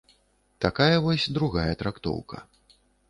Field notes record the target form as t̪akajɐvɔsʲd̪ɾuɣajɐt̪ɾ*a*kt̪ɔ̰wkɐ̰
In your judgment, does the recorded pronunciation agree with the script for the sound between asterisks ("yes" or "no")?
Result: yes